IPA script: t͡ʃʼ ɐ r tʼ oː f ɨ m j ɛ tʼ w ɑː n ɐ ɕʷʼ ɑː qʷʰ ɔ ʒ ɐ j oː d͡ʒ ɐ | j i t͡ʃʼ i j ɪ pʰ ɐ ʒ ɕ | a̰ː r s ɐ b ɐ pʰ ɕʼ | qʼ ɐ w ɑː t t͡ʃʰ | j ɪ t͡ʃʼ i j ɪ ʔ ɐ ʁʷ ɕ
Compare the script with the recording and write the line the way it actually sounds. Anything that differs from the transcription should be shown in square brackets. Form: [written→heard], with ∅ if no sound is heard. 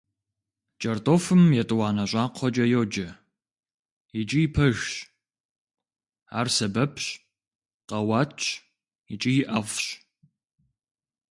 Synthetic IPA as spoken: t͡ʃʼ ɐ r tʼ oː f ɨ m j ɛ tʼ w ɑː n ɐ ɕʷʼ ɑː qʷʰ ɔ [ʒ→d͡ʒ] ɐ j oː d͡ʒ ɐ | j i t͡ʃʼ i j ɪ pʰ ɐ ʒ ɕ | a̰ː r s ɐ b ɐ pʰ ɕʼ | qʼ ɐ w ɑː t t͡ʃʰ | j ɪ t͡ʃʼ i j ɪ ʔ ɐ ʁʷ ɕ